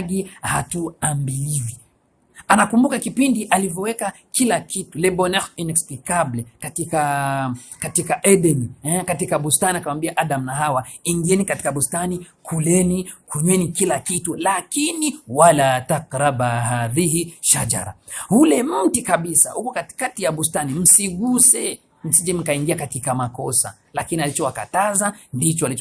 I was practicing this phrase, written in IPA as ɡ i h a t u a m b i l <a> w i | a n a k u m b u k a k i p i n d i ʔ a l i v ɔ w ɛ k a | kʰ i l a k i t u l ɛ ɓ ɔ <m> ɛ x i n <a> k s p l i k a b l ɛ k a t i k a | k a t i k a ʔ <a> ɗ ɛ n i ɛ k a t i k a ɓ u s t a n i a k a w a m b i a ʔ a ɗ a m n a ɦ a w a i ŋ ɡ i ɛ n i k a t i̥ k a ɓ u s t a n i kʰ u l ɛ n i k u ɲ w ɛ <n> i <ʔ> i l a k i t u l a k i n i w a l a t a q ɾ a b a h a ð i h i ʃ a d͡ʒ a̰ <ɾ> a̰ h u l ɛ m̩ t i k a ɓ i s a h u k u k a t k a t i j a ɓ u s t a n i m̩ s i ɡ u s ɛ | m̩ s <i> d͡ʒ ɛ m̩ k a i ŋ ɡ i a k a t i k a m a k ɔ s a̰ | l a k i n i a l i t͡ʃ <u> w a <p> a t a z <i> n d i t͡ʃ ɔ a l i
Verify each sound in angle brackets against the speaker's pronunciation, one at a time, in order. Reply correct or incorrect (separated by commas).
incorrect, incorrect, incorrect, incorrect, correct, incorrect, correct, correct, incorrect, incorrect, incorrect